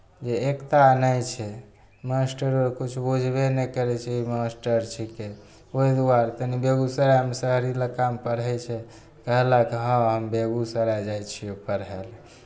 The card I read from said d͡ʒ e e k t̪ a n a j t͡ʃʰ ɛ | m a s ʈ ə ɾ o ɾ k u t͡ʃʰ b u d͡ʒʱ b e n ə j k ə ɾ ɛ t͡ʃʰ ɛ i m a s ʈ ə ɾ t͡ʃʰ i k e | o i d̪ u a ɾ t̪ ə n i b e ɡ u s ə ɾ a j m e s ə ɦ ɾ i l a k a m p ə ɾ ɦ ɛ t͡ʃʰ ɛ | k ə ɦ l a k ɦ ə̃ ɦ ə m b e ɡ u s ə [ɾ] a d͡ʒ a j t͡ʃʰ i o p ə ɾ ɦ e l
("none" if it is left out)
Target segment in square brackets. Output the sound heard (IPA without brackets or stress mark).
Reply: ɾ